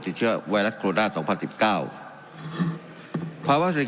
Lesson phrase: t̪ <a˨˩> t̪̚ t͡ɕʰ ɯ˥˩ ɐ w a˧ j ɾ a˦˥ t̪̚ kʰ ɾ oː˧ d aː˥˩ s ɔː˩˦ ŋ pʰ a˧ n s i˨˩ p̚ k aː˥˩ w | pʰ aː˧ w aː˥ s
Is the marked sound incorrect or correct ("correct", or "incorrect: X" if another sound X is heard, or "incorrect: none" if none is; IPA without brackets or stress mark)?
incorrect: i˨˩